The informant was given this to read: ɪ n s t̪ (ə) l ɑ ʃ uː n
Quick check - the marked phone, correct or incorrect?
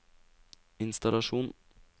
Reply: incorrect